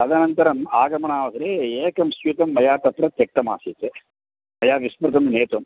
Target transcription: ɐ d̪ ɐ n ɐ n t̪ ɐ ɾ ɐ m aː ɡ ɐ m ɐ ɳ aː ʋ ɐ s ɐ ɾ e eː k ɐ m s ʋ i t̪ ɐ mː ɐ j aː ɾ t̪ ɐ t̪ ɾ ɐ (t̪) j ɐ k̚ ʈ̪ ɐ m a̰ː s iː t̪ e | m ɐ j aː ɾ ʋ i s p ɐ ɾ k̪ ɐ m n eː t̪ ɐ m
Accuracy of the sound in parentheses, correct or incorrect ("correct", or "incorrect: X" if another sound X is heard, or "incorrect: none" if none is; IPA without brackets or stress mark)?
correct